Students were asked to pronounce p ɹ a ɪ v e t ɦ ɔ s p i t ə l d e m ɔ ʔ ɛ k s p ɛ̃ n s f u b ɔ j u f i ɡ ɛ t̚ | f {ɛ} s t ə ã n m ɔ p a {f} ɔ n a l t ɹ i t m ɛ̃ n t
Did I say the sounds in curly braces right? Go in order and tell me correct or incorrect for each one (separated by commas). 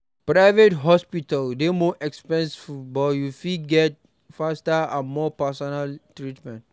incorrect, incorrect